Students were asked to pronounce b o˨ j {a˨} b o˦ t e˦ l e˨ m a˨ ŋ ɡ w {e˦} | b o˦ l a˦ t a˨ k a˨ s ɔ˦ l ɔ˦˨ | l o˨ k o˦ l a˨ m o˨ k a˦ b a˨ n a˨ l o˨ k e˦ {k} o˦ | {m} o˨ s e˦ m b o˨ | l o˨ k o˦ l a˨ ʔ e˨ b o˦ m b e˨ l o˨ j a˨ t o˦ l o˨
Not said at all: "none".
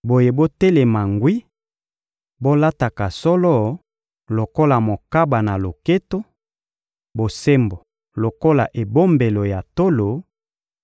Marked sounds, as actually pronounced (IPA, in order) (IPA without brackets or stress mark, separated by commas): e˨, i˦, t, b